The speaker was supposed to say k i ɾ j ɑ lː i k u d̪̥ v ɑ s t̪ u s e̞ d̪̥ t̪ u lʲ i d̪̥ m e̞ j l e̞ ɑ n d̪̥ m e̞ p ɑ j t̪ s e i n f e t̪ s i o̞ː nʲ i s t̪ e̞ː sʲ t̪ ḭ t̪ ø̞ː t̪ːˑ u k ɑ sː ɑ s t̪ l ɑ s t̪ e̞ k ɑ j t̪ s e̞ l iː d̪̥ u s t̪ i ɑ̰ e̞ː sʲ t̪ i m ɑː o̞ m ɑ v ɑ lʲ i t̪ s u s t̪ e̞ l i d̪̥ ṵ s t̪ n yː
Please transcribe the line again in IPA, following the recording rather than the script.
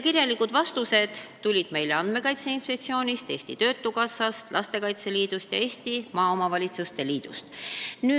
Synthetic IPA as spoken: k i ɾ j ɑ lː i k u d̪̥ v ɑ s t̪ u s e̞ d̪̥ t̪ u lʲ i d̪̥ m e̞ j l e̞ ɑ n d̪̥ m e̞ k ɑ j t̪ s e i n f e t̪ s i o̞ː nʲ i s t̪ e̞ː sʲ t̪ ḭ t̪ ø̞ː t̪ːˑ u k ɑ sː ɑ s t̪ l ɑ s t̪ e̞ k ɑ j t̪ s e̞ l iː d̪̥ u s t̪ j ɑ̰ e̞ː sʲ t̪ i m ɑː o̞ m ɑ v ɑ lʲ i t̪ s u s t̪ e̞ l iː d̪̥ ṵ s t̪ n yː